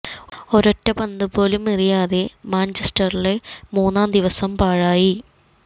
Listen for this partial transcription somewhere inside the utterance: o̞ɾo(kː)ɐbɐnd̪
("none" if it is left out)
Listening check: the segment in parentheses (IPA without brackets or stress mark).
tː